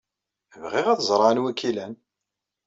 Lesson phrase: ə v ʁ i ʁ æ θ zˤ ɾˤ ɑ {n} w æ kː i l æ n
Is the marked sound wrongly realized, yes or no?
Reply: no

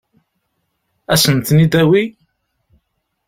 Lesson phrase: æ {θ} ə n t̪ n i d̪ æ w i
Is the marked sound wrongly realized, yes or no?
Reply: yes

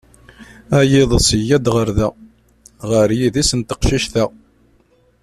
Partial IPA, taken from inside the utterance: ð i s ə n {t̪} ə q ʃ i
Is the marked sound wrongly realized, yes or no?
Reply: no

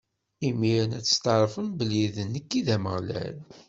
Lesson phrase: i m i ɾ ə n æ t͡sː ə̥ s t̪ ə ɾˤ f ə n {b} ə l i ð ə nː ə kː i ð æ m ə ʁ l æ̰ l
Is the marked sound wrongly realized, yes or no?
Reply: no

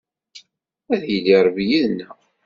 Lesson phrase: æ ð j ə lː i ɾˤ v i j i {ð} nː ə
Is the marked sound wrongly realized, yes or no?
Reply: no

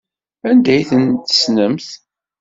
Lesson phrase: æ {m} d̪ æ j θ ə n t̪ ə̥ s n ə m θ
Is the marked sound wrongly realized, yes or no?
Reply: yes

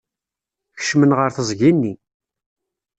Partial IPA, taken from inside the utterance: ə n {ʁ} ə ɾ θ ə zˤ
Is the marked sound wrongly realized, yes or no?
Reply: no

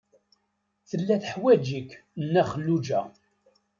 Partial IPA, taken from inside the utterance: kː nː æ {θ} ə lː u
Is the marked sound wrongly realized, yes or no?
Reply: yes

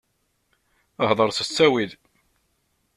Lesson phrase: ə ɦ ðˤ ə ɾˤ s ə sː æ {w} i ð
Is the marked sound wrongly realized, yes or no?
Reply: no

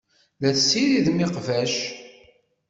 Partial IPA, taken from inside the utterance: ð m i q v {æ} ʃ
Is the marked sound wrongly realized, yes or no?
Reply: no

